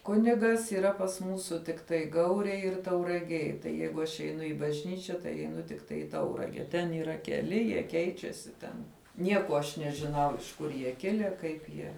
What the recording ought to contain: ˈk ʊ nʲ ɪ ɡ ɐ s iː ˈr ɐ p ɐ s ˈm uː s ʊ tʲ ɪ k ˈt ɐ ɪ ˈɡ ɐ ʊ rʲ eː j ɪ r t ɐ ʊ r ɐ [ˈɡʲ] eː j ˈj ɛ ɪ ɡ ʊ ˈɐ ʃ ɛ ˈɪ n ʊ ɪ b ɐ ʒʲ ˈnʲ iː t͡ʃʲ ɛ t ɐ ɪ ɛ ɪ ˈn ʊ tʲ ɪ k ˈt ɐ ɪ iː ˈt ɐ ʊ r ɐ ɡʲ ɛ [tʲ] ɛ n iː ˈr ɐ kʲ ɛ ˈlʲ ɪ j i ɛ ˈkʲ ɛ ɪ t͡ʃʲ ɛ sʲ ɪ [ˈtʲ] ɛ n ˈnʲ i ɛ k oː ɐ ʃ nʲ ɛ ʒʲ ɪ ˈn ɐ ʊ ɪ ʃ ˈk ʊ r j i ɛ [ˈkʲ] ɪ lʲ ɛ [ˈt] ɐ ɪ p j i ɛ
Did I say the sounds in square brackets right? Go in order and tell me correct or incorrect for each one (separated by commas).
correct, correct, correct, correct, incorrect